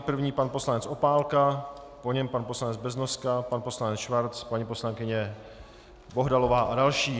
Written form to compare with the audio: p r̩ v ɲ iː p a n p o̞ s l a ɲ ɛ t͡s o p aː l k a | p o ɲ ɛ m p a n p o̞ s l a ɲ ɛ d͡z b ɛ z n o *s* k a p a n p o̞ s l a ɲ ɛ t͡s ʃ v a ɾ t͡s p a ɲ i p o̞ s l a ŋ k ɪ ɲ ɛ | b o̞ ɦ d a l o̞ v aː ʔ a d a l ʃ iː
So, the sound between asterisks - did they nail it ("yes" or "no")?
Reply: yes